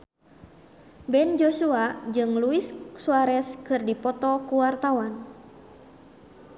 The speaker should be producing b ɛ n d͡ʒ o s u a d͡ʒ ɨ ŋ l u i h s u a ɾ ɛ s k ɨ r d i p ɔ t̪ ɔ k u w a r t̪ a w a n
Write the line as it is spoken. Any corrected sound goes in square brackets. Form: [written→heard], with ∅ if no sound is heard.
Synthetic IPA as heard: b ɛ n d͡ʒ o s u a d͡ʒ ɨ ŋ l u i [h→s] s u a ɾ ɛ s k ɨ r d i p ɔ t̪ ɔ k u w a r t̪ a w a n

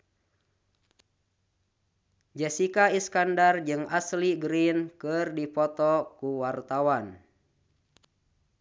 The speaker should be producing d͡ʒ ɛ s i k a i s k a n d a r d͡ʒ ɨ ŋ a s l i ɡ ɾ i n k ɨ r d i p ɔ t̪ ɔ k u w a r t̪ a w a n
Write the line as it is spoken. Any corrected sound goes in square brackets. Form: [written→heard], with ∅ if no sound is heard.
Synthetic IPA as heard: d͡ʒ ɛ s i k a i s k a n d a r d͡ʒ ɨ ŋ a s l i ɡ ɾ i n k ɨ r d i p ɔ t̪ ɔ k u w a r t̪ a w a n

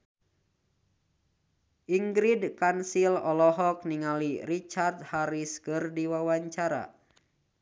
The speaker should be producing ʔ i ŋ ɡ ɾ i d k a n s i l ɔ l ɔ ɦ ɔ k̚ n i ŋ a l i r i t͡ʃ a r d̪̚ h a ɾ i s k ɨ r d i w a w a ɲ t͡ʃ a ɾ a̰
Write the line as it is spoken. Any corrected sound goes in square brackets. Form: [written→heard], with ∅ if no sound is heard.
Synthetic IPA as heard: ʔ i ŋ ɡ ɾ i d k a n s i l ɔ l ɔ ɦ ɔ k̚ n i ŋ a l i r i t͡ʃ a r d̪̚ h a ɾ i s k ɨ r d i w a w a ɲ t͡ʃ a ɾ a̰

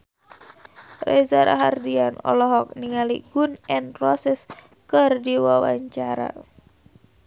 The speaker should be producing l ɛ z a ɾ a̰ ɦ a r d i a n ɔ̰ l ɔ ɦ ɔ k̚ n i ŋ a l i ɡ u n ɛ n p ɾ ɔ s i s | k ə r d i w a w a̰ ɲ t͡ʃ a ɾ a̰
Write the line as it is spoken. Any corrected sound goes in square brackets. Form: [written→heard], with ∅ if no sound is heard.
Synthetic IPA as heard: [l→r] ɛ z a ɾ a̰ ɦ a r d i a n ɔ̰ l ɔ ɦ ɔ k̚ n i ŋ a l i ɡ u n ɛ n p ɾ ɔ s [i→ɛ] s | k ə r d i w a w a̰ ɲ t͡ʃ a ɾ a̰

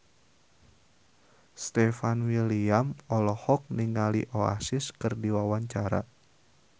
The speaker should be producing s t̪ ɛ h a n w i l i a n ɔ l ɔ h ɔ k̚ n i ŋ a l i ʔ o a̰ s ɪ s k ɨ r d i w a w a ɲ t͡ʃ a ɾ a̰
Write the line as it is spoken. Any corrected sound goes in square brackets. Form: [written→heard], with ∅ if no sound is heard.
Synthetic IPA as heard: s t̪ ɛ [h→f] a n w i l i a [n→m] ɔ l ɔ h ɔ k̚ n i ŋ a l i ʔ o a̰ s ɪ s k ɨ r d i w a w a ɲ t͡ʃ a ɾ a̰

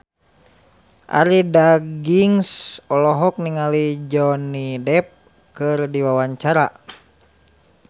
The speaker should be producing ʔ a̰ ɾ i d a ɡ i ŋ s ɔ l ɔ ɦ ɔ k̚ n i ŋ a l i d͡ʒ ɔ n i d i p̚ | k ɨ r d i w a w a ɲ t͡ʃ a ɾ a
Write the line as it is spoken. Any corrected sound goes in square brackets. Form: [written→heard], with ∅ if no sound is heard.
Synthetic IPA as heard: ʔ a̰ ɾ i d a ɡ i ŋ s ɔ l ɔ ɦ ɔ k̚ n i ŋ a l i d͡ʒ ɔ n i d [i→ɛ] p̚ | k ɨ r d i w a w a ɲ t͡ʃ a ɾ a

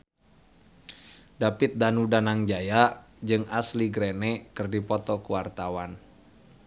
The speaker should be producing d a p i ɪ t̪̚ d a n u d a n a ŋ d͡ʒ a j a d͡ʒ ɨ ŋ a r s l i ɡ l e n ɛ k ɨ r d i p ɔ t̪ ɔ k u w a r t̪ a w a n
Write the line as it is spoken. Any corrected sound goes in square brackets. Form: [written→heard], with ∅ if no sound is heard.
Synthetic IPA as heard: d a p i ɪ t̪̚ d a n u d a n a ŋ d͡ʒ a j a d͡ʒ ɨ ŋ a [r→∅] s l i ɡ [l→ɾ] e n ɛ k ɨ r d i p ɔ t̪ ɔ k u w a r t̪ a w a n

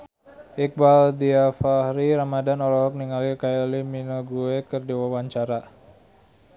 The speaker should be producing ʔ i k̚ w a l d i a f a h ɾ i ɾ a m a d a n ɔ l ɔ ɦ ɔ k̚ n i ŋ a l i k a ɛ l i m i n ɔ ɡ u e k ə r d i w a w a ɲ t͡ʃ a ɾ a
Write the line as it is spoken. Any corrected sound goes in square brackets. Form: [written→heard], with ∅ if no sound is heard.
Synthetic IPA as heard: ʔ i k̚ [w→b] a l d i a f a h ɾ i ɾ a m a d a n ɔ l ɔ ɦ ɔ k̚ n i ŋ a l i k a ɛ l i m i n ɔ ɡ u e k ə r d i w a w a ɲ t͡ʃ a ɾ a

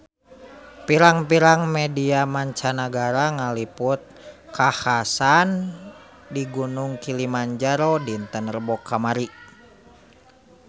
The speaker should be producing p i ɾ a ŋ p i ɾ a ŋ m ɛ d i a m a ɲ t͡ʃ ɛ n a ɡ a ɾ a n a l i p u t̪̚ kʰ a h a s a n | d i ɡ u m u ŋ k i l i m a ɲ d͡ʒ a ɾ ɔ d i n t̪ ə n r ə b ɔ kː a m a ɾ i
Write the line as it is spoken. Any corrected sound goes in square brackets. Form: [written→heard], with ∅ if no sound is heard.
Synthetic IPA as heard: p i ɾ a ŋ p i ɾ a ŋ m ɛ d i a m a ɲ t͡ʃ [ɛ→a] n a ɡ a ɾ a [n→ŋ] a l i p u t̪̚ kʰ a h a s a n | d i ɡ u [m→n] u ŋ k i l i m a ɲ d͡ʒ a ɾ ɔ d i n t̪ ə n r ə b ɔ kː a m a ɾ i

